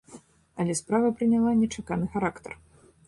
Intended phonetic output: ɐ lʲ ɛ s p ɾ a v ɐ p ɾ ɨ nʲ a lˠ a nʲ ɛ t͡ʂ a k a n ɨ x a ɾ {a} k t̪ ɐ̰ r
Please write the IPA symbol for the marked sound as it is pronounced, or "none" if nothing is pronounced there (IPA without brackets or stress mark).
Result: a